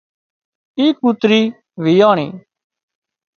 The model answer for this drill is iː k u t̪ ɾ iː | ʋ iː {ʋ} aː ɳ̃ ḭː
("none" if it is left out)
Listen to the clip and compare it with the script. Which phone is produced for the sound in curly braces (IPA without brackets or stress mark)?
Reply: none